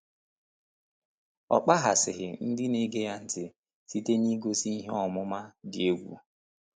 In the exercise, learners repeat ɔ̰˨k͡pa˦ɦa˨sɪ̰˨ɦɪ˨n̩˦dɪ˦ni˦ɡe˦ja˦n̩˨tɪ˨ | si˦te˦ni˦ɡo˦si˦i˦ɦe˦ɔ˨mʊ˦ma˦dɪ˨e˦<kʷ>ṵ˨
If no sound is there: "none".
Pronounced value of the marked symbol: ɡʷ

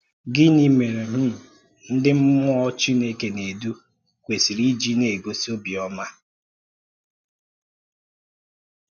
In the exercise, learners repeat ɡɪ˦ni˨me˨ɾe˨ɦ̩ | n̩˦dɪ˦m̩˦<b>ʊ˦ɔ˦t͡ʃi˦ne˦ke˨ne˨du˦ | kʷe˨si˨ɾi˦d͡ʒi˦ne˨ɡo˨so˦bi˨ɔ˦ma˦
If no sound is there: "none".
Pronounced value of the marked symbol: m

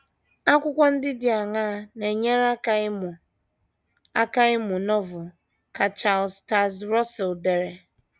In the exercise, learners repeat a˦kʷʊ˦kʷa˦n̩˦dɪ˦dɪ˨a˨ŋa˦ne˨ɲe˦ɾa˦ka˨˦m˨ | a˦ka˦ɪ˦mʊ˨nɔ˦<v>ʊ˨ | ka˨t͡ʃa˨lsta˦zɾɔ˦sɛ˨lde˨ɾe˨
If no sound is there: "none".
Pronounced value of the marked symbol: v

